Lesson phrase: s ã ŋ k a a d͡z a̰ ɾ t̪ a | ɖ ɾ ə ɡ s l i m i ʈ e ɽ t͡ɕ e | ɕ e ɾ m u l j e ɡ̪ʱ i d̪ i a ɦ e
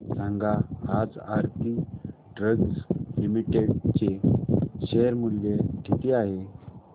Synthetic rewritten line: s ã ŋ ɡ a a d͡z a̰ ɾ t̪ i | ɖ ɾ ə ɡ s l i m i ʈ e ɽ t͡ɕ e | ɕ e ɾ m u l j e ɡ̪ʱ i t̪ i a ɦ e